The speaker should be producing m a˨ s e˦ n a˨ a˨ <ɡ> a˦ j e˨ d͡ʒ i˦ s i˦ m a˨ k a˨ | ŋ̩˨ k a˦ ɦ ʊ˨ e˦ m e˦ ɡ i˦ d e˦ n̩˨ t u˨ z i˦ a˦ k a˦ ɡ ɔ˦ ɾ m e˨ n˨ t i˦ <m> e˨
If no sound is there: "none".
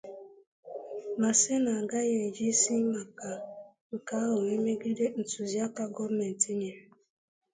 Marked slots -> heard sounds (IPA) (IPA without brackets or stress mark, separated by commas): ɡ, ɲ